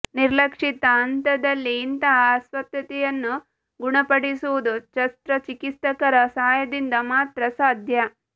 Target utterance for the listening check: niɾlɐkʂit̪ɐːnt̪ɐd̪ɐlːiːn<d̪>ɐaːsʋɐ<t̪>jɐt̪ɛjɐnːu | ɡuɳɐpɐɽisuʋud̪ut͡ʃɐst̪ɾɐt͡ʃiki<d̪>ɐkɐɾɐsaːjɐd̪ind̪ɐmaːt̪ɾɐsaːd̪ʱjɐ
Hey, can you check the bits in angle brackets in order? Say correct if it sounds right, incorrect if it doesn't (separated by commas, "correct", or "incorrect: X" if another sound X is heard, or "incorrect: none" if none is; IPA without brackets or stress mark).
incorrect: t̪, correct, incorrect: t̪